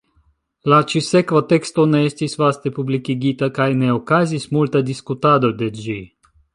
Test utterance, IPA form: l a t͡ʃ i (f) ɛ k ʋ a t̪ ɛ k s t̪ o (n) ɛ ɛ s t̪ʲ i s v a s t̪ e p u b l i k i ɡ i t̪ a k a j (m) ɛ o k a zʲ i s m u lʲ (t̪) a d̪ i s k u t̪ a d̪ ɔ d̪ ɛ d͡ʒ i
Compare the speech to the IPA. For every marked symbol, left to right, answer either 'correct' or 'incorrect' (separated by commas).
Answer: incorrect, correct, incorrect, correct